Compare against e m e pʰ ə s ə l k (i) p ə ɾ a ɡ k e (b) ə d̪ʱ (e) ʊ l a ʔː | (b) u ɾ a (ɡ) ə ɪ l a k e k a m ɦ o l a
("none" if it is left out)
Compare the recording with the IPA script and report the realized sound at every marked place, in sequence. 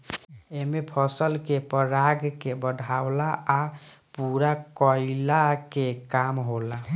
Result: e, b, a, p, k

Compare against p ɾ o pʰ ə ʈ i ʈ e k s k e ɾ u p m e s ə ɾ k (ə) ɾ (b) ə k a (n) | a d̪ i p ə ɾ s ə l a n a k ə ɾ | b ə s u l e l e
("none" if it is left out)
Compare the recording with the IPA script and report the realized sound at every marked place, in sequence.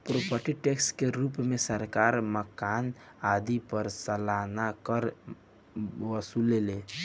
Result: a, m, n

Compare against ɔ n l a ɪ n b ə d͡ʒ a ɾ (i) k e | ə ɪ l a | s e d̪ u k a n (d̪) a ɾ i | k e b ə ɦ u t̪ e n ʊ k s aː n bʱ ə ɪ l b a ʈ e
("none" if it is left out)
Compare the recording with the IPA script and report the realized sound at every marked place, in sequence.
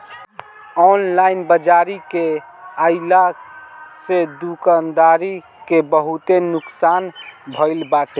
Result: i, d̪

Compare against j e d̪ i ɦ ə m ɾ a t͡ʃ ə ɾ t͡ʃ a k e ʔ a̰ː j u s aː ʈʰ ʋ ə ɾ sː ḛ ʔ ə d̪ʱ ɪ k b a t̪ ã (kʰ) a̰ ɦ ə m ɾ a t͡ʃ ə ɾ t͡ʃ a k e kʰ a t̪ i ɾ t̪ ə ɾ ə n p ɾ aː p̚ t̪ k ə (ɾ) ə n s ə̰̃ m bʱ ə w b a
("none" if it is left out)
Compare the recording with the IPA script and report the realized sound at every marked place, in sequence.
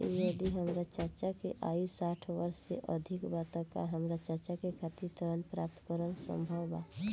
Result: k, ɾ

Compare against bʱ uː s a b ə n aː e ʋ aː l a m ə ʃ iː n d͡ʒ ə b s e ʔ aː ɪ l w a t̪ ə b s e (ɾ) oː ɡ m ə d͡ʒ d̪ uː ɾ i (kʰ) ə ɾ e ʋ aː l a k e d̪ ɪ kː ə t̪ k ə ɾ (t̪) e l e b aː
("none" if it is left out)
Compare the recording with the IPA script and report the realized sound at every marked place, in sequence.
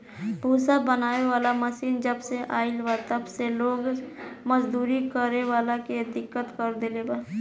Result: l, k, d̪

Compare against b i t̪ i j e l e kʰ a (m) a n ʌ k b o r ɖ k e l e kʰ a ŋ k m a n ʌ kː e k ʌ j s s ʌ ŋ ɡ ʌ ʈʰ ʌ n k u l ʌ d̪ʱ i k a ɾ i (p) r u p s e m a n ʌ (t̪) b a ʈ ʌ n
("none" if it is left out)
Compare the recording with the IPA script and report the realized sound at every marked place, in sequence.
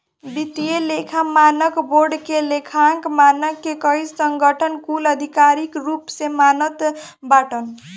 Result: m, k, t̪

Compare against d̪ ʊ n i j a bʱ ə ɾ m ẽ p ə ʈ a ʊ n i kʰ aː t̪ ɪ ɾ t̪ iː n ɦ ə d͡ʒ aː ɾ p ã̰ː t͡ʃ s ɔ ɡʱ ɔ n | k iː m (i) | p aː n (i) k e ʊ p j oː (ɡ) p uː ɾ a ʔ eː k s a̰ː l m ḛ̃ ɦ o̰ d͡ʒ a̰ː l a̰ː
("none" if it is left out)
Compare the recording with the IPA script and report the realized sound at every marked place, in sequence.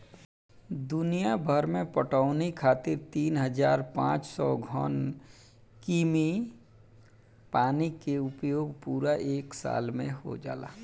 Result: i, i, ɡ

